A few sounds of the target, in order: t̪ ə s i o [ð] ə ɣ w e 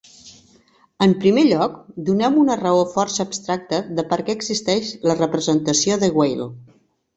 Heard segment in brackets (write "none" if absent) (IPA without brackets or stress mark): ð